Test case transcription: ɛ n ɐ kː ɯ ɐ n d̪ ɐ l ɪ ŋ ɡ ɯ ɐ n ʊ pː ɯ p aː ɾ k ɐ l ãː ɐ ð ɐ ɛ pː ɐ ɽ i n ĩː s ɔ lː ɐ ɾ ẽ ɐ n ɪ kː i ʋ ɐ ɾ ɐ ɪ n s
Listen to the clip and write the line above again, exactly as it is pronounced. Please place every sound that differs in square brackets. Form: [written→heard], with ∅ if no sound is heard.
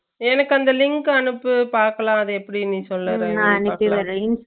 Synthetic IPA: ɛ n ɐ kː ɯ ɐ n d̪ ɐ l ɪ ŋ [ɡ→k] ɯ ɐ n [ʊ→ɯ] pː ɯ p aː ɾ k ɐ l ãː ɐ ð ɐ ɛ pː ɐ ɽ i n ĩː s ɔ lː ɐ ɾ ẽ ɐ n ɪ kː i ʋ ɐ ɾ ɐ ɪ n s